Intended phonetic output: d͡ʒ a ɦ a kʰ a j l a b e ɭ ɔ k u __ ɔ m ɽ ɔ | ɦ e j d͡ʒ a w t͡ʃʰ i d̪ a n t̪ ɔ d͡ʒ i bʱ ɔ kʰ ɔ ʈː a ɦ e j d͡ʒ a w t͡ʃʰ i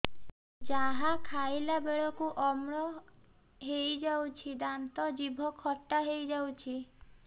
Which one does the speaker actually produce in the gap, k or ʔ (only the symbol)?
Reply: ʔ